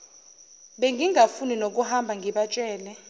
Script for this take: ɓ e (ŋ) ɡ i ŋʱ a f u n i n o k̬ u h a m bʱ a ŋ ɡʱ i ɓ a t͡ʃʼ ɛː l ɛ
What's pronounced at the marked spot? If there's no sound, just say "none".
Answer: ŋ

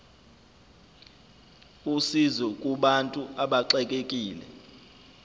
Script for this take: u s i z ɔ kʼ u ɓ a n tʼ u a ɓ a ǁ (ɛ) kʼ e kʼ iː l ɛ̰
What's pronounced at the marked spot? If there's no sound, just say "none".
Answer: ɛ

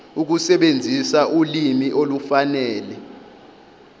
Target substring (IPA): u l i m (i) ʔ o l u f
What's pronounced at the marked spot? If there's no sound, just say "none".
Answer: i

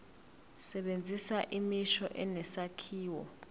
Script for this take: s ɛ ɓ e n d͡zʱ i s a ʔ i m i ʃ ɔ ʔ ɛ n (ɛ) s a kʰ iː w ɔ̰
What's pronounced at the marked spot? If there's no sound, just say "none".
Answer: ɛ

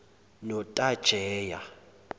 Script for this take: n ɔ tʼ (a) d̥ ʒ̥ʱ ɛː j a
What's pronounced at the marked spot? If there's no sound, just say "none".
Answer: a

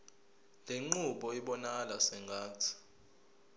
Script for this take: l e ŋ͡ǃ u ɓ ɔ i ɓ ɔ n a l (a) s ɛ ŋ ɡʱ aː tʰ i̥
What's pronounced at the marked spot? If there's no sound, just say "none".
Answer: a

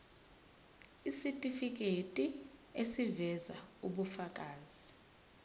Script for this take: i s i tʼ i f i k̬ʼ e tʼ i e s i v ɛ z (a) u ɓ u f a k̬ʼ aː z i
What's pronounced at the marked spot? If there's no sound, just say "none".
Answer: a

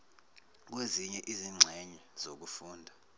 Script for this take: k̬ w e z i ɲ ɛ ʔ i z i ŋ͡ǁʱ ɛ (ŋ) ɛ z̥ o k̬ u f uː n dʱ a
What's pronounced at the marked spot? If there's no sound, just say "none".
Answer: ɲ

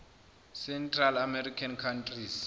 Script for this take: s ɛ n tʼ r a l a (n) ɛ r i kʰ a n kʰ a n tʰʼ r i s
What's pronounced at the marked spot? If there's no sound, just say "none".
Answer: m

